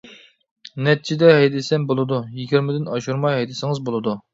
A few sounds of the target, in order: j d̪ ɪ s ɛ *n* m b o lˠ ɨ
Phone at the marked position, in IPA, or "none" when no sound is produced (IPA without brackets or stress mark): none